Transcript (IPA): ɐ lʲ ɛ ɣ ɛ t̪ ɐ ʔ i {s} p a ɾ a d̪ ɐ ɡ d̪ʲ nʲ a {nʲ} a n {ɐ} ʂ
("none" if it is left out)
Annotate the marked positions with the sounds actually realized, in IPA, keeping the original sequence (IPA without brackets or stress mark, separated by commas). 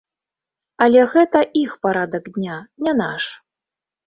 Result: x, nʲ, a